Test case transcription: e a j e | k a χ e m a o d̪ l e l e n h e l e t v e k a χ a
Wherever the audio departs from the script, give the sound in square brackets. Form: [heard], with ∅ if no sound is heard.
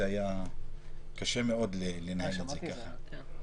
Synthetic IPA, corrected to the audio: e a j [a] | k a [ʃ] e m [e] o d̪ l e l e n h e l e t [z] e k a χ a

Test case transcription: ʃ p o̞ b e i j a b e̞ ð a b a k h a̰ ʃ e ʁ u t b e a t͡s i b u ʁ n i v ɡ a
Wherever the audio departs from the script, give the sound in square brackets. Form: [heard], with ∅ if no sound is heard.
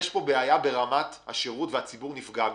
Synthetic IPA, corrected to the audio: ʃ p o̞ b e [a] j a b e̞ [ʁ] a [m] a [t] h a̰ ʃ e ʁ u t [v] e a t͡s i b u ʁ n i [f] ɡ a

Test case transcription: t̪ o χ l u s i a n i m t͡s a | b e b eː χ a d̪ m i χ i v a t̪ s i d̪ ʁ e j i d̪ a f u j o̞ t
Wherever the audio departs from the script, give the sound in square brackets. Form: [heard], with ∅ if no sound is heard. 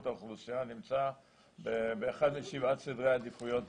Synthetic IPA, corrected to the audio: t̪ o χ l u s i a n i m t͡s a | b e b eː χ a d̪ m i [ʃ] i v a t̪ s i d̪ ʁ e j [a] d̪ [i] f u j o̞ t

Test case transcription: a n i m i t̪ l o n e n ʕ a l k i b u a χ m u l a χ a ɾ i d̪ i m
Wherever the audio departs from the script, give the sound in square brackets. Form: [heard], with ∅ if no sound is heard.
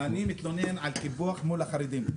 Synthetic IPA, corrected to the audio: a n i m i t̪ l o n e n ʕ a l k i b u a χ m u l a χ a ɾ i d̪ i m

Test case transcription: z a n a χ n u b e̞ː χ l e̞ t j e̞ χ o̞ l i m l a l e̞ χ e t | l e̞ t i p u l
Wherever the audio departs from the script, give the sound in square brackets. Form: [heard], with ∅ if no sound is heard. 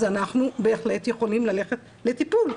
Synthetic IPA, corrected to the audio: z a n a χ n u b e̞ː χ l e̞ t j e̞ χ o̞ l i m l a l e̞ χ e t | l e̞ t i p u l

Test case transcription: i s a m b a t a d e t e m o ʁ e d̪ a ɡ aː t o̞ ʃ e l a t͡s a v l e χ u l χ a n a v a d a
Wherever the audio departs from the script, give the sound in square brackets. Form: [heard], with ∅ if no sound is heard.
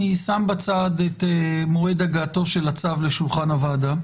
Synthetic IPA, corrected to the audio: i s a m b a [t͡s] a d e t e m o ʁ e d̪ a ɡ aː t o̞ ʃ e l a t͡s a v l e [ʃ] u l χ a n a v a d a

